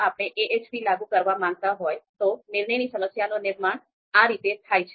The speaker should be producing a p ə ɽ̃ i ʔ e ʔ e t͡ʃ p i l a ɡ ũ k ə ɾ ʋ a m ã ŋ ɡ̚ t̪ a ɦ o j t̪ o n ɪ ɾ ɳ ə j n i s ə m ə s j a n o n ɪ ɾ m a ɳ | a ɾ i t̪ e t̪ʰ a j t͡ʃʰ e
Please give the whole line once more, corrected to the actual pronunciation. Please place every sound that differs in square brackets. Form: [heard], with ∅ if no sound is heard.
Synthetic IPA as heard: a p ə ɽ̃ [e] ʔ e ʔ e t͡ʃ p i l a ɡ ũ k ə ɾ ʋ a m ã ŋ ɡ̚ t̪ a ɦ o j t̪ o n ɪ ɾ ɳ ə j n i s ə m ə s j a n o n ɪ ɾ m a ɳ | a ɾ i t̪ e t̪ʰ a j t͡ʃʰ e